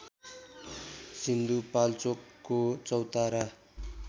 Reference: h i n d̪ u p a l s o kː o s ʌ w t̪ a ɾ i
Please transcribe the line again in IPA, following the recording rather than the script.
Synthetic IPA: s i n d̪ u p a l t͡s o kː o t͡s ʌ w t̪ a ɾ a